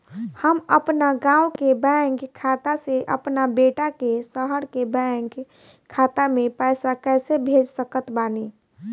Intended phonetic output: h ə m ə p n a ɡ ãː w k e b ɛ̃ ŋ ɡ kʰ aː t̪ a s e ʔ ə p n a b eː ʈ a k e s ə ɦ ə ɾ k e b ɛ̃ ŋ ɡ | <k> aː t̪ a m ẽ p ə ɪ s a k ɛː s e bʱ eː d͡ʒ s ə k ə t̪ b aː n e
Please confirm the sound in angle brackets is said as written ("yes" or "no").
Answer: no